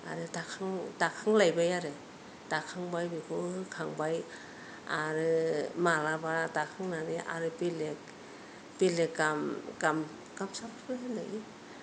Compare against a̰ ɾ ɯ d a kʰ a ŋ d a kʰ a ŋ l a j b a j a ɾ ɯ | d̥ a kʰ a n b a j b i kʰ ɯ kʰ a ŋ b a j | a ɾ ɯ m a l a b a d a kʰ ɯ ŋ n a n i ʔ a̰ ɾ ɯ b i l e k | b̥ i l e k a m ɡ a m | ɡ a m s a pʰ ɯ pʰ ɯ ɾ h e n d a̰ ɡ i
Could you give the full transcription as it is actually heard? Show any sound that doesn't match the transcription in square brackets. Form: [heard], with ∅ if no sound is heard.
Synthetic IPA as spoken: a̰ ɾ ɯ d a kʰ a ŋ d a kʰ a ŋ l a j b a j a ɾ ɯ | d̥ a kʰ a [ŋ] b a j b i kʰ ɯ kʰ a ŋ b a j | a ɾ ɯ m a l a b a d a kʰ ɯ ŋ n a n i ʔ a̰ ɾ ɯ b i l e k | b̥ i l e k a m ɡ a m | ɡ a m s a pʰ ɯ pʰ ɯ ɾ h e n d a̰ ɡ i